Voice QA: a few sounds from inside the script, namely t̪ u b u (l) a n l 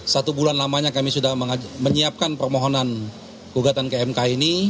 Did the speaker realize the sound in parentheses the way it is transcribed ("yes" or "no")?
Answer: yes